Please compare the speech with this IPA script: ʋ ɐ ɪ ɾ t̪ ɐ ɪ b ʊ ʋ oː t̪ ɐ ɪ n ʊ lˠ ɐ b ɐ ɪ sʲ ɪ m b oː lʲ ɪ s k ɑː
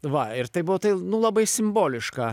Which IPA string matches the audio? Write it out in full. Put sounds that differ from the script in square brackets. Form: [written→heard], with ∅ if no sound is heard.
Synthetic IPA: ʋ ɐ ɪ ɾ t̪ ɐ ɪ b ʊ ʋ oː t̪ ɐ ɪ n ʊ lˠ ɐ b ɐ ɪ sʲ ɪ m b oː lʲ ɪ [s→ʃ] k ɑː